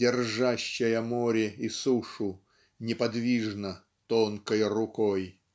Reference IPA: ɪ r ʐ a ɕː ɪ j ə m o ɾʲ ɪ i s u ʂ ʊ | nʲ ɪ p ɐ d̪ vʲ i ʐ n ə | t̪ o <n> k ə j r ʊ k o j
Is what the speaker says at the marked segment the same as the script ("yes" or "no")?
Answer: yes